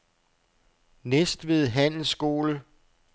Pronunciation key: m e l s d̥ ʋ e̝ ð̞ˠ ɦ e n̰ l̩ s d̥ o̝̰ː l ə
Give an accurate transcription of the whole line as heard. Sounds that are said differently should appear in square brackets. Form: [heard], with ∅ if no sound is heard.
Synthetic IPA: [n] e [∅] s d̥ ʋ e̝ ð̞ˠ ɦ [æ] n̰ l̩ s [ɡ̥] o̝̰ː l ə